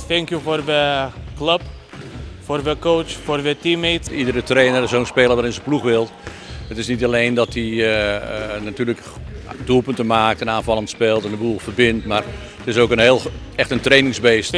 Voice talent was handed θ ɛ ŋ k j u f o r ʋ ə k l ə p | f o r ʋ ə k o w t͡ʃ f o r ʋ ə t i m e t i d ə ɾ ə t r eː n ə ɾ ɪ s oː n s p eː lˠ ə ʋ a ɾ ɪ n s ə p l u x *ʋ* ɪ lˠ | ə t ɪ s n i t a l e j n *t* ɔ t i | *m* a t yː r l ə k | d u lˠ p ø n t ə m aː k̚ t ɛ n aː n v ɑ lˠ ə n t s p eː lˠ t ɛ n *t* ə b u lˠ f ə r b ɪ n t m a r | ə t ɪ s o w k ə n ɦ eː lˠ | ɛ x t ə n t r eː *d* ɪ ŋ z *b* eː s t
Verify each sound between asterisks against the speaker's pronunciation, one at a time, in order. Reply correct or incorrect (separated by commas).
correct, incorrect, incorrect, incorrect, incorrect, correct